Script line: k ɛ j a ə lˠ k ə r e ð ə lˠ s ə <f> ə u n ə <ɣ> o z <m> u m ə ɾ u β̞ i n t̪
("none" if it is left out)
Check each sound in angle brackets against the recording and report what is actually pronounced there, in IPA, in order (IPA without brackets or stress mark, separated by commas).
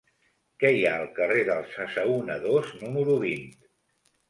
s, ð, n